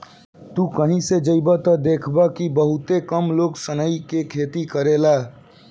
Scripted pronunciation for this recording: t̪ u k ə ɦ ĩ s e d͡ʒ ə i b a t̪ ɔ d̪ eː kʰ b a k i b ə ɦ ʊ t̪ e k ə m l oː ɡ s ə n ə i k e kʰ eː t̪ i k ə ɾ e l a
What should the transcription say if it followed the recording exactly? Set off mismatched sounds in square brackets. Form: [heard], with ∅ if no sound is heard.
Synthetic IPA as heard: t̪ u k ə ɦ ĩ s e d͡ʒ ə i b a t̪ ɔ d̪ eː kʰ b a k i b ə ɦ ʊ t̪ e k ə m l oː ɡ s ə n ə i k e kʰ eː t̪ i k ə ɾ e l a